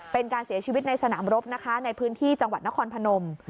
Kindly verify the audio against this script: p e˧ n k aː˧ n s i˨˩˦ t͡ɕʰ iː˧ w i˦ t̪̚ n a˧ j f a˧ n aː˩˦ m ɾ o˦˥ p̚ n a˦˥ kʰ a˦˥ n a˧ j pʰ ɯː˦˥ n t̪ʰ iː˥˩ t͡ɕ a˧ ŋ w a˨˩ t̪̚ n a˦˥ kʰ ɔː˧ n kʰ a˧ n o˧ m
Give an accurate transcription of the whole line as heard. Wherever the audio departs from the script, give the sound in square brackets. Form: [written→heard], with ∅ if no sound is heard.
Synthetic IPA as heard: p e˧ n k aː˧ n s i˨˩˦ t͡ɕʰ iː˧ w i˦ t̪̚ n a˧ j [f→s] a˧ n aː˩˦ m ɾ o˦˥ p̚ n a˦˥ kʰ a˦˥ n a˧ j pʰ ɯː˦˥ n t̪ʰ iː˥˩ t͡ɕ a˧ ŋ w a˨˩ t̪̚ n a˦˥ kʰ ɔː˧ n [kʰ→pʰ] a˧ n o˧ m